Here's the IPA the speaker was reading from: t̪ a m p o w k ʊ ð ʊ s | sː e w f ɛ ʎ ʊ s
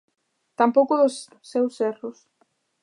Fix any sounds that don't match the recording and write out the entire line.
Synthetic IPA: t̪ a m p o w k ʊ ð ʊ s | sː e w s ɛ r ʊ s